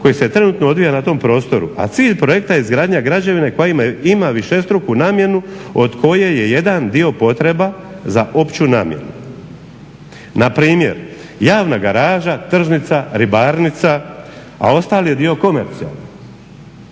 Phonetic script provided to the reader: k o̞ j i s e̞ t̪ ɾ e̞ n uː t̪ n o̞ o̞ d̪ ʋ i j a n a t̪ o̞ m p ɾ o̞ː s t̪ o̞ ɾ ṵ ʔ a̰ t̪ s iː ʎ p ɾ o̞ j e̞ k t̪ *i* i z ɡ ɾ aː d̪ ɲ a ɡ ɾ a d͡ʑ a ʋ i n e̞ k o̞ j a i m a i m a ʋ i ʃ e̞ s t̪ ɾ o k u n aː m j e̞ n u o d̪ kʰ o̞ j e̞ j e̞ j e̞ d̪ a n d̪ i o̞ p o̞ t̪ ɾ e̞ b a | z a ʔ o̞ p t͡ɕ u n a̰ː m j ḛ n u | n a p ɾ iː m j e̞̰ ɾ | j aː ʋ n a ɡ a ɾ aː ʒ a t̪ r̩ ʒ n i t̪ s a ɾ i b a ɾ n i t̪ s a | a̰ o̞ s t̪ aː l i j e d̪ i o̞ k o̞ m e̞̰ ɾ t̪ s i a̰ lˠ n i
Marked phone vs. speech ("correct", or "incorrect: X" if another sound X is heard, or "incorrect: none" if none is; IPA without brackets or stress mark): incorrect: a